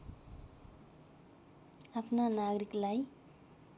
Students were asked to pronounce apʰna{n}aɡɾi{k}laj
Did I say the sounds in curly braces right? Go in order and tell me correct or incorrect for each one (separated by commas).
correct, correct